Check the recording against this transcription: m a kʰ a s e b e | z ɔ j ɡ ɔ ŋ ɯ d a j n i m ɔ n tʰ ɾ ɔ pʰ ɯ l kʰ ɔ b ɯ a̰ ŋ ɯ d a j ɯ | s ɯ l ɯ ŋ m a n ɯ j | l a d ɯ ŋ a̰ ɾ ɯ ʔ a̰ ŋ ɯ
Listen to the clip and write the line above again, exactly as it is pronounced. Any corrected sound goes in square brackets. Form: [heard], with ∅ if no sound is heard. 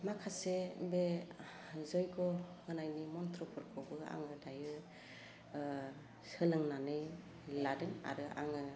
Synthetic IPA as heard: m a kʰ a s e b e | z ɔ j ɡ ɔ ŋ ɯ [n] a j n i m ɔ n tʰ ɾ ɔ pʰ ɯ [ɾ] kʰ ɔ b ɯ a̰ ŋ ɯ d a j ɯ | s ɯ l ɯ ŋ [n] a n ɯ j | l a d ɯ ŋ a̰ ɾ ɯ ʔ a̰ ŋ ɯ

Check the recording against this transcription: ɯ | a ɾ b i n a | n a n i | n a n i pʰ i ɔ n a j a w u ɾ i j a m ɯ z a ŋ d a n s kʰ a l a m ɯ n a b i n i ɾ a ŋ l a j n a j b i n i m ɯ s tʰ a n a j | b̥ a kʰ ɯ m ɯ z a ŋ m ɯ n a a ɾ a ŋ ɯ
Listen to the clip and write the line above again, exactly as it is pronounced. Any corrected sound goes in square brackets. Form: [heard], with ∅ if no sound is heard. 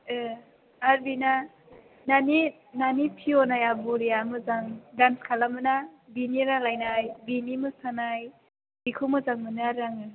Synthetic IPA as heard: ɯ | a ɾ b i n a | n a n i | n a n i pʰ i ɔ n a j a [b] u ɾ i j a m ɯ z a ŋ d a n s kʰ a l a m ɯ n a b i n i ɾ a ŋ l a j n a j b i n i m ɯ s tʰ a n a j | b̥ [i] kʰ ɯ m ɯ z a ŋ m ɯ n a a ɾ a ŋ ɯ

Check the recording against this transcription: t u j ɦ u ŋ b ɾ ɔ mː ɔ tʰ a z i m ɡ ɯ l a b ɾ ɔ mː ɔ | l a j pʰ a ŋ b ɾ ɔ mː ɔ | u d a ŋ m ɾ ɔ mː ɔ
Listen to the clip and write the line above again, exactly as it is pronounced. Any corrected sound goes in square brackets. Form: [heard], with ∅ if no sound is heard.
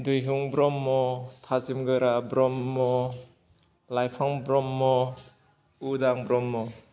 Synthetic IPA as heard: [d] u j ɦ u ŋ b ɾ ɔ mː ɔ tʰ a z i m ɡ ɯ [ɾ] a b ɾ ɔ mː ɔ | l a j pʰ a ŋ b ɾ ɔ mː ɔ | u d a ŋ [b] ɾ ɔ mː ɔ

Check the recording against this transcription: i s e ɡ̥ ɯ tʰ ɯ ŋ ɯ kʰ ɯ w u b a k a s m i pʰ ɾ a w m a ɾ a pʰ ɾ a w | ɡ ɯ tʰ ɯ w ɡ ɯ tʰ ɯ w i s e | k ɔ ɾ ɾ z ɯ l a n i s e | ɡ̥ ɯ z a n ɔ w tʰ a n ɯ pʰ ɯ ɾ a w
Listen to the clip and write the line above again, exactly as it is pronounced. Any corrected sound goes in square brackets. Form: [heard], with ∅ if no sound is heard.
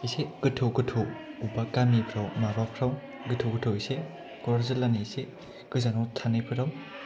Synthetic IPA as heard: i s e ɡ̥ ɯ tʰ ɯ [ɡ] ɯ [tʰ] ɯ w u b a k a [∅] m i pʰ ɾ a w m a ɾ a pʰ ɾ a w | ɡ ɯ tʰ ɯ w ɡ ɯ tʰ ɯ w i s e | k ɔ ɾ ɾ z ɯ l a n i s e | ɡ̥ ɯ z a n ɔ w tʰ a n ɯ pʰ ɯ ɾ a w

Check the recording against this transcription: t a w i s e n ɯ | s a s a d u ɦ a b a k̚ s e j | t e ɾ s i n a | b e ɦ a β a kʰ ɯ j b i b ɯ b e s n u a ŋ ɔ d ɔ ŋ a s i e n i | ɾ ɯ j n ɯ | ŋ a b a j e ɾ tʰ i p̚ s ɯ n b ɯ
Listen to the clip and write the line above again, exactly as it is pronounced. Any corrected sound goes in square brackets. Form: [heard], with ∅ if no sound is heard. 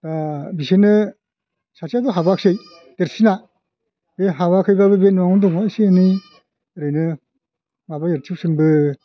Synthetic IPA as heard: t a [b] i s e n ɯ | s a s a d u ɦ a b a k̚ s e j | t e ɾ s i n a | b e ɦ a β a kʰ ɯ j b [a] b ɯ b e [∅] n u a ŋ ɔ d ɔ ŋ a s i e n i | ɾ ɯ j n ɯ | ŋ a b a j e ɾ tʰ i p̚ s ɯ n b ɯ

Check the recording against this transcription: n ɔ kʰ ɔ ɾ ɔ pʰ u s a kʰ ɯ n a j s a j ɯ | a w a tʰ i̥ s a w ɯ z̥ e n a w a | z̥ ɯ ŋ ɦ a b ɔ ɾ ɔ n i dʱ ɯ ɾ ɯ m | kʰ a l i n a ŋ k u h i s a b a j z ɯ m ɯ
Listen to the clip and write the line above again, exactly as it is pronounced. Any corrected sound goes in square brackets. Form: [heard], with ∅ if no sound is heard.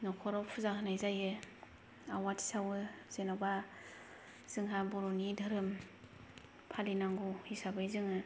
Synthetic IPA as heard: n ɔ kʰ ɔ ɾ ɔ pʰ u [z] a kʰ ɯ n a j [z] a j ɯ | a w a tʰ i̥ s a w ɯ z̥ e n a [b] a | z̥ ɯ ŋ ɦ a b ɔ ɾ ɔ n i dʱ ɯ ɾ ɯ m | [pʰ] a l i n a ŋ [ɡ] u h i s a b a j z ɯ [ŋ] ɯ

